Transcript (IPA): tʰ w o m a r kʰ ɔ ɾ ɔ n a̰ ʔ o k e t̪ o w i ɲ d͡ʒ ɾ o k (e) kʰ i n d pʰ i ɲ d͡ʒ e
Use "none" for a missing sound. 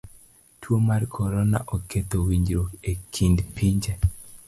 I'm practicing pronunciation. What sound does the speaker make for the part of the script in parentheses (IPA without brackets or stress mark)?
e